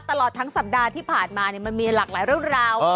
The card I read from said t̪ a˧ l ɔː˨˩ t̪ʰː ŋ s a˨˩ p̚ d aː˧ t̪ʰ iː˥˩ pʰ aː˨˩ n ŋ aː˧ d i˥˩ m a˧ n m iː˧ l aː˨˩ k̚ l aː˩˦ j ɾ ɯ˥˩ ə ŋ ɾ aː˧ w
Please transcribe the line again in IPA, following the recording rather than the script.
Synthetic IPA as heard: t̪ a˧ l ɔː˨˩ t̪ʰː ŋ s a˨˩ p̚ d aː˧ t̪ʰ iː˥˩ pʰ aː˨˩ n m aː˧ n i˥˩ m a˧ n m iː˧ l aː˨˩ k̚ l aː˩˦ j ɾ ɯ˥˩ ə ŋ ɾ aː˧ w